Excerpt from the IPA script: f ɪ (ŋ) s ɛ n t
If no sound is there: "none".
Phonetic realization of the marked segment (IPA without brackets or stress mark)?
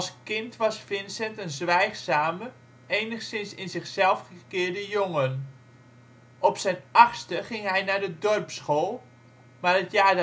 n